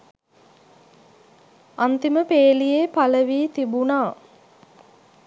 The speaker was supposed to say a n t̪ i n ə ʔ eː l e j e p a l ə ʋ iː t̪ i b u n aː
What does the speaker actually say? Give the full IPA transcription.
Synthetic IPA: a n t̪ i m ə p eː l i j e p a l ə ʋ iː t̪ i b u n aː